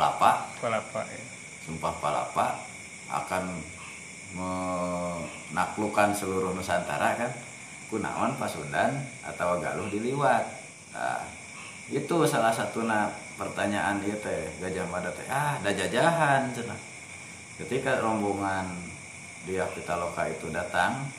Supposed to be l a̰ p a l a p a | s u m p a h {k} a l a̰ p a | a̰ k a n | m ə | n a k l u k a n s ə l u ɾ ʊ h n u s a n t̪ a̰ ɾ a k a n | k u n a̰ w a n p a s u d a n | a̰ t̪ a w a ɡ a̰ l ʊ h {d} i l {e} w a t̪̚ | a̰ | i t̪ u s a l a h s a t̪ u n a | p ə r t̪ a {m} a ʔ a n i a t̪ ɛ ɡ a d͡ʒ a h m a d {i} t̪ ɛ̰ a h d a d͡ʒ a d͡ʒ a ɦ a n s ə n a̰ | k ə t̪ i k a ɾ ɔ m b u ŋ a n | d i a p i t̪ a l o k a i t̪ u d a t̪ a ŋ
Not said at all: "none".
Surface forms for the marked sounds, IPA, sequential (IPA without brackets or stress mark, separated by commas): p, d, i, ɲ, a